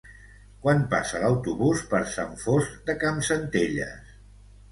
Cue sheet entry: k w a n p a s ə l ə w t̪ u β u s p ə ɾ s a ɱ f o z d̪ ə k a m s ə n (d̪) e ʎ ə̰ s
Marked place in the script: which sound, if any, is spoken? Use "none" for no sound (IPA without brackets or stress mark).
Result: t̪